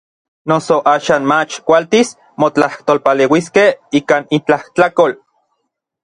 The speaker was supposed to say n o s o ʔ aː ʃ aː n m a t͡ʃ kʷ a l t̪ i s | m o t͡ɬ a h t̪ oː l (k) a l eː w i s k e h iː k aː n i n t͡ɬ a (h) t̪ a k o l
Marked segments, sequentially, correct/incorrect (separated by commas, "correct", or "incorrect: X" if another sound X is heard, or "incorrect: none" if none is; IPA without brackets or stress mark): incorrect: p, correct